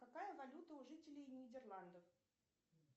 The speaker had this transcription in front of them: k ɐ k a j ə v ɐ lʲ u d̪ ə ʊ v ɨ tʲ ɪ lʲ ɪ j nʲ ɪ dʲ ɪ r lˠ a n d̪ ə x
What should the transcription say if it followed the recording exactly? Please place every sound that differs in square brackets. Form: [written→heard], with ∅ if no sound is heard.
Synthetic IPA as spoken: k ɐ k a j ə v ɐ lʲ u [d̪→t̪] ə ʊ [v→ʐ] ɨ tʲ ɪ lʲ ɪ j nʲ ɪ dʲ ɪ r lˠ a n d̪ ə [x→f]